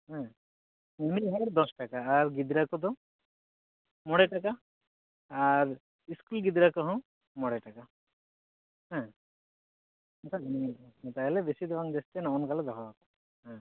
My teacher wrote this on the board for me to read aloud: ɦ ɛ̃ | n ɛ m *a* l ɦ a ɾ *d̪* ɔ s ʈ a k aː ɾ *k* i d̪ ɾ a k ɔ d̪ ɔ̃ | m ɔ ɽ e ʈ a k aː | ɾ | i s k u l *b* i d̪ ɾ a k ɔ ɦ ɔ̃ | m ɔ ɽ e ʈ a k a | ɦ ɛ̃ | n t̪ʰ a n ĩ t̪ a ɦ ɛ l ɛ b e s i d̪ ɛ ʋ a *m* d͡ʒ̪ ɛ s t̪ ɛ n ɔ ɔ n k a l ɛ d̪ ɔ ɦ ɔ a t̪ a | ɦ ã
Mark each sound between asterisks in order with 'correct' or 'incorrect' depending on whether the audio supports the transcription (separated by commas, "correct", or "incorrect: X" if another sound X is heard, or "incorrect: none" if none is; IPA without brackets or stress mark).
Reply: incorrect: i, correct, incorrect: ɡ, incorrect: ɡ, incorrect: ŋ